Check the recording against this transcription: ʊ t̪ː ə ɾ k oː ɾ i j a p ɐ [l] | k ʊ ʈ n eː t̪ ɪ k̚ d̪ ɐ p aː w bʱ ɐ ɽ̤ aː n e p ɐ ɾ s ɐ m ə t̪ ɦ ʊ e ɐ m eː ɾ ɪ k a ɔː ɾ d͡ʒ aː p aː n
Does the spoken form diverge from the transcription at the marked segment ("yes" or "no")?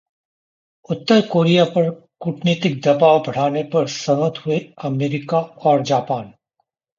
yes